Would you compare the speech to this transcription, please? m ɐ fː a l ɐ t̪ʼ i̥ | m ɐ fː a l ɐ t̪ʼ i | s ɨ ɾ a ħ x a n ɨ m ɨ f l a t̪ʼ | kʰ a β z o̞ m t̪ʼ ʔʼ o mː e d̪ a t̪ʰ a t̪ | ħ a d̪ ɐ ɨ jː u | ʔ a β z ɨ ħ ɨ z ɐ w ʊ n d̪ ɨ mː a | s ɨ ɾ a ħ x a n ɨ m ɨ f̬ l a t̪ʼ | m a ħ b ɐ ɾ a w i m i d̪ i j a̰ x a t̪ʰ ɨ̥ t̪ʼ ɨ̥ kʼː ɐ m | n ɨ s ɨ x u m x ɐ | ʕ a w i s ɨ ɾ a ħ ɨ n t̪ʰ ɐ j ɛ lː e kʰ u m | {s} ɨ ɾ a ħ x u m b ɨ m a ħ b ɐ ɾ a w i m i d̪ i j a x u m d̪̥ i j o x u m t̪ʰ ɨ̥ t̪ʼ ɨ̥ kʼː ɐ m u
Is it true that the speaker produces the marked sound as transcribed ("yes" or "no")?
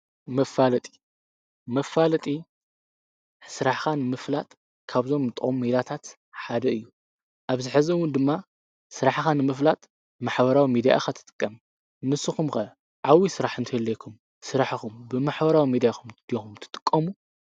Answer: yes